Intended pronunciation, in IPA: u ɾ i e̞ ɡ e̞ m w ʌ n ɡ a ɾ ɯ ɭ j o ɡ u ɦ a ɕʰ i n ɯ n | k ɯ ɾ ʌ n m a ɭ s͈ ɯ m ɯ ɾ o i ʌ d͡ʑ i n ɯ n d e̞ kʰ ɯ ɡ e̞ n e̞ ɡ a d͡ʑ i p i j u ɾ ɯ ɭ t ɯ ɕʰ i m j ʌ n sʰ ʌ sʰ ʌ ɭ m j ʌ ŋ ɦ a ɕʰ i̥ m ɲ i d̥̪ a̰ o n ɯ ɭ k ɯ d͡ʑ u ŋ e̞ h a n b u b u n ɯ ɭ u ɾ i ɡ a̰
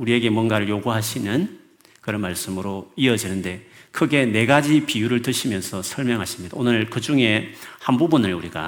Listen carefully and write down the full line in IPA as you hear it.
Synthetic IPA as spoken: u ɾ i e̞ ɡ e̞ m w ʌ n ɡ a ɾ ɯ ɭ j o ɡ u ɦ a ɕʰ i n ɯ n | k ɯ ɾ ʌ n m a ɭ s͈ ɯ m ɯ ɾ o i ʌ d͡ʑ i n ɯ n d e̞ kʰ ɯ ɡ e̞ n e̞ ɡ a d͡ʑ i p i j u ɾ ɯ ɭ t ɯ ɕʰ i m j ʌ n sʰ ʌ sʰ ʌ ɭ m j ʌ ŋ ɦ a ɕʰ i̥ m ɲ i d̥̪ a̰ o n ɯ ɭ k ɯ d͡ʑ u ŋ e̞ h a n b u b u n ɯ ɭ u ɾ i ɡ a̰